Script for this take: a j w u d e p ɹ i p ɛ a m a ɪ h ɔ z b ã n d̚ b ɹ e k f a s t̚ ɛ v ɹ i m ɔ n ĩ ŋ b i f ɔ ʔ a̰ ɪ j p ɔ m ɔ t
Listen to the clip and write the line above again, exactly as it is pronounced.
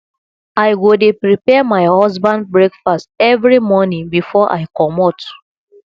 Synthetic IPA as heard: a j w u d e p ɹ i p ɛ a m a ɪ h ɔ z b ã n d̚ b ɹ e k f a s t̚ ɛ v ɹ i m ɔ n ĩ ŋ b i f ɔ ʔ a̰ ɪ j k ɔ m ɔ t

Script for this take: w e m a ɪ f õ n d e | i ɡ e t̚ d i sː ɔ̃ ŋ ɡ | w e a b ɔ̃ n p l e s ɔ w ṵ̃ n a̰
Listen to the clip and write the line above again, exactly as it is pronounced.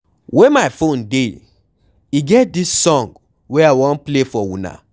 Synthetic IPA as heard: w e m a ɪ f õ n d e | i ɡ ɛ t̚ d i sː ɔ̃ ŋ ɡ | w e a w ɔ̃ n p l e f ɔ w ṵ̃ n a̰

